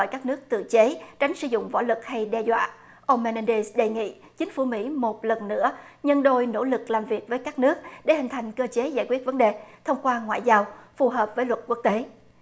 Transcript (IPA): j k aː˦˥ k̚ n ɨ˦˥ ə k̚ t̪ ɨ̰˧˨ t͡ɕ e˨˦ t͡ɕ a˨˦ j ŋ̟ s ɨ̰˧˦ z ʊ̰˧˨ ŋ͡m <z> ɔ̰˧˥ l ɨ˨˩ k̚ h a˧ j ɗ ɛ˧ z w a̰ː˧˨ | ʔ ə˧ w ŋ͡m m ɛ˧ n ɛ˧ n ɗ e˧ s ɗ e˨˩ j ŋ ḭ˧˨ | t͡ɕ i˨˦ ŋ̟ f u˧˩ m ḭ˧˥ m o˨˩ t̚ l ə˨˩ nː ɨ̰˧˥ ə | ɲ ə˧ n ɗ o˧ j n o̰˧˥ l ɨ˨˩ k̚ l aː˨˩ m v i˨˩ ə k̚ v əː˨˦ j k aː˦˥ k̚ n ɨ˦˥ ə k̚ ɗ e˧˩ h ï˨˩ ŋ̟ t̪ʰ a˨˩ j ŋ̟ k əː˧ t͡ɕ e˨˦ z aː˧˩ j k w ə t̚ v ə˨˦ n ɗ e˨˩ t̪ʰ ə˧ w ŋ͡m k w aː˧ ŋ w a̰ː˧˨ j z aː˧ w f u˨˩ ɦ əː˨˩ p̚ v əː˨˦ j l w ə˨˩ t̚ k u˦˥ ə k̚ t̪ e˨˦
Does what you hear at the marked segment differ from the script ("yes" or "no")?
yes